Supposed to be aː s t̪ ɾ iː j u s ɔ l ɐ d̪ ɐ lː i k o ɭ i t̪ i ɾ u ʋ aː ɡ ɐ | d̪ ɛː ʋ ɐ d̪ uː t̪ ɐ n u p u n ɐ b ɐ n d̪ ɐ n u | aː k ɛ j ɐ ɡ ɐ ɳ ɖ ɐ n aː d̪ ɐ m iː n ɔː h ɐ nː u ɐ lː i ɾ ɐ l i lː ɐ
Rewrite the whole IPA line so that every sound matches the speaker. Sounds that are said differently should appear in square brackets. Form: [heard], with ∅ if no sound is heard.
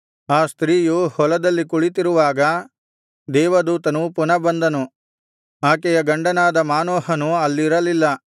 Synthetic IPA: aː s t̪ ɾ iː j u [h] ɔ l ɐ d̪ ɐ lː i k [u] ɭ i t̪ i ɾ u ʋ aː ɡ ɐ | d̪ ɛː ʋ ɐ d̪ uː t̪ ɐ n u p u n ɐ b ɐ n d̪ ɐ n u | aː k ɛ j ɐ ɡ ɐ ɳ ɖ ɐ n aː d̪ ɐ m [aː] n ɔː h ɐ [n] u ɐ lː i ɾ ɐ l i lː ɐ

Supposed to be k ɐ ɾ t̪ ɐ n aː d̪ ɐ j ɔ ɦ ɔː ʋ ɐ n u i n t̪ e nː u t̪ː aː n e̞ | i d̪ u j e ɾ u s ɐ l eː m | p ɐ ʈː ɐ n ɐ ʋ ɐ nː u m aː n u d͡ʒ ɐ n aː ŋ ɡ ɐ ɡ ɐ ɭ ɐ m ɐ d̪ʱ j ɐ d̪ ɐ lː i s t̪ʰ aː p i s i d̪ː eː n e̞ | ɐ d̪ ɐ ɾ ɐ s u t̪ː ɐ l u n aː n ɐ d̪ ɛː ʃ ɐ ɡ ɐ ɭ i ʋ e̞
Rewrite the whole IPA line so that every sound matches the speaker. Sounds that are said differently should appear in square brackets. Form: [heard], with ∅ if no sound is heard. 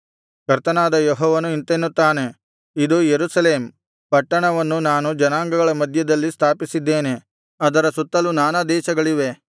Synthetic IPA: k ɐ ɾ t̪ ɐ n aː d̪ ɐ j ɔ ɦ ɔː ʋ ɐ n u i n t̪ e nː u t̪ː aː n e̞ | i d̪ u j e ɾ u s ɐ l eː m | p ɐ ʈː ɐ [ɳ] ɐ ʋ ɐ nː u [n] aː n u d͡ʒ ɐ n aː ŋ ɡ ɐ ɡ ɐ ɭ ɐ m ɐ d̪ʱ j ɐ d̪ ɐ lː i s t̪ʰ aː p i s i d̪ː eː n e̞ | ɐ d̪ ɐ ɾ ɐ s u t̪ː ɐ l u n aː n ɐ d̪ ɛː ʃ ɐ ɡ ɐ ɭ i ʋ e̞

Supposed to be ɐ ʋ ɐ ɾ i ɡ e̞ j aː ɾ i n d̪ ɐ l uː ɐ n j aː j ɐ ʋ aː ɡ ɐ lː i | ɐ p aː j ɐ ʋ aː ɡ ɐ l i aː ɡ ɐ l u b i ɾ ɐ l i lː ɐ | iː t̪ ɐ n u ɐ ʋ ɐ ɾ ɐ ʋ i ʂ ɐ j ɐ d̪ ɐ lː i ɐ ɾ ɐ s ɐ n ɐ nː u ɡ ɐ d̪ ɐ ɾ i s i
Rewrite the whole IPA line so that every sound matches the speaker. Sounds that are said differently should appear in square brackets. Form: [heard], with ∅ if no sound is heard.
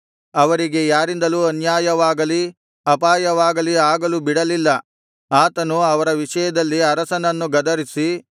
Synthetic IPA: ɐ ʋ ɐ ɾ i ɡ e̞ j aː ɾ i n d̪ ɐ l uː ɐ n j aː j ɐ ʋ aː ɡ ɐ [l] i | ɐ p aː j ɐ ʋ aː ɡ ɐ l i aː ɡ ɐ l u b i [ɽ] ɐ l i lː ɐ | [aː] t̪ ɐ n u ɐ ʋ ɐ ɾ ɐ ʋ i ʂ ɐ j ɐ d̪ ɐ lː i ɐ ɾ ɐ s ɐ n ɐ nː u ɡ ɐ d̪ ɐ ɾ i s i

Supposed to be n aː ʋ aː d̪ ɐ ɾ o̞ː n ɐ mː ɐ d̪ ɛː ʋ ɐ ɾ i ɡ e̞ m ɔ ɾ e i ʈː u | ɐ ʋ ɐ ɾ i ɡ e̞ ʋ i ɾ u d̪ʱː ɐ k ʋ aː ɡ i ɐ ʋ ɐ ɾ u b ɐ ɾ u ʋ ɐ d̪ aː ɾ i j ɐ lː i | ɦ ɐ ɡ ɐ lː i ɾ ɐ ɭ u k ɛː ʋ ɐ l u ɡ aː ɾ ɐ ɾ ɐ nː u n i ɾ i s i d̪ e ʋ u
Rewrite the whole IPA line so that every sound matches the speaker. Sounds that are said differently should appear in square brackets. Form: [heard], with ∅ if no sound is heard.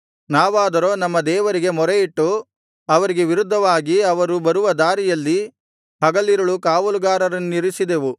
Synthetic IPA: n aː ʋ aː d̪ ɐ ɾ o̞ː n ɐ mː ɐ d̪ ɛː ʋ ɐ ɾ i ɡ e̞ m ɔ ɾ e i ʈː u | ɐ ʋ ɐ ɾ i ɡ e̞ ʋ i ɾ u d̪ʱː ɐ [∅] ʋ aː ɡ i ɐ ʋ ɐ ɾ u b ɐ ɾ u ʋ ɐ d̪ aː ɾ i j ɐ lː i | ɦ ɐ ɡ ɐ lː i ɾ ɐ ɭ u k [aː] ʋ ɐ l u ɡ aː ɾ ɐ ɾ ɐ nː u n i ɾ i s i d̪ e ʋ u

